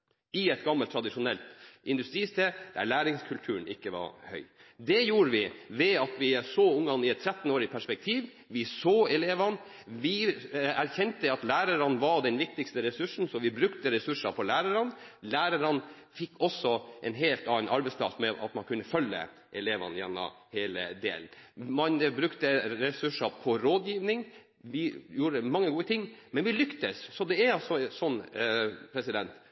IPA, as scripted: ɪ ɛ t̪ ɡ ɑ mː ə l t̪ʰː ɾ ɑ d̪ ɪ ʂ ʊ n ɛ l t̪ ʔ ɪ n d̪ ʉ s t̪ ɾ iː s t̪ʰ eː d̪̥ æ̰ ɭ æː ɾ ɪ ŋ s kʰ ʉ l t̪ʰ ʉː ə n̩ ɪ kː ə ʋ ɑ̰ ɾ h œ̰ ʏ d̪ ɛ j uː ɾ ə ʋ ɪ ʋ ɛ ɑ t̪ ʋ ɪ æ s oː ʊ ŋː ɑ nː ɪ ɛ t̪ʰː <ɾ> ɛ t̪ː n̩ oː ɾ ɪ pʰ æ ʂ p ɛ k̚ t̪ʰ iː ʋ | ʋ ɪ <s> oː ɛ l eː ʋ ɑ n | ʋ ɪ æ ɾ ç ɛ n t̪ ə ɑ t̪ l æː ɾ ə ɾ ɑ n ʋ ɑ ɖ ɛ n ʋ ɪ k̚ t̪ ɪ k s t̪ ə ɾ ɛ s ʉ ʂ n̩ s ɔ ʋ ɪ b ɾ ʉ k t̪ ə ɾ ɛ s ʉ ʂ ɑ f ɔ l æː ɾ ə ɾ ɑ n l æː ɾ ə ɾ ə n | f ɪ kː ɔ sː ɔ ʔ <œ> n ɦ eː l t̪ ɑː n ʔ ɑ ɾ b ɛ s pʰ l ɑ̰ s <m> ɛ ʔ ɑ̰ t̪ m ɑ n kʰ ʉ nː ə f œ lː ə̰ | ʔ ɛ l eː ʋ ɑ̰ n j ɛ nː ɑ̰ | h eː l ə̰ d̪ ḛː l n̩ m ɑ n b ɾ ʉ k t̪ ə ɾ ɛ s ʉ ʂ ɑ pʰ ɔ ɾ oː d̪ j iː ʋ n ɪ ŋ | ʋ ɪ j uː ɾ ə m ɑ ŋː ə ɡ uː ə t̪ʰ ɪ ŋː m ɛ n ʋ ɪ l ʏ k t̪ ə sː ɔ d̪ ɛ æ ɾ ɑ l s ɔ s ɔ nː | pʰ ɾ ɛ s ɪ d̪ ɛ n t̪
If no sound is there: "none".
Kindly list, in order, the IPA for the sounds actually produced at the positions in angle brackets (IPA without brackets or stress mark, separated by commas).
ɾ, s, ɛ, m